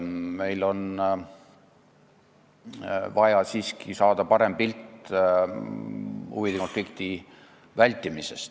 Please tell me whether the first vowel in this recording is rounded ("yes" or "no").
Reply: no